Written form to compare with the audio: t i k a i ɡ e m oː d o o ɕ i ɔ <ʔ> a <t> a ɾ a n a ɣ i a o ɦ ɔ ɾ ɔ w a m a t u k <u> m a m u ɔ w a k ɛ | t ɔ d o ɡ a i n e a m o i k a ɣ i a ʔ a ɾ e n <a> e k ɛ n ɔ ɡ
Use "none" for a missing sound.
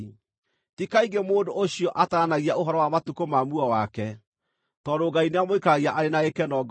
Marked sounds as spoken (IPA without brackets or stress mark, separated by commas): ʔ, t, o, a